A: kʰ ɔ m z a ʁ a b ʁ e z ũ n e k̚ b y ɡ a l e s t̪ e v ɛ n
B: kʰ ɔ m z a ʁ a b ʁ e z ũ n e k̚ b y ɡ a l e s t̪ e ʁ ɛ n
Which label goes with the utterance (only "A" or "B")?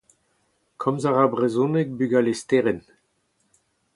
B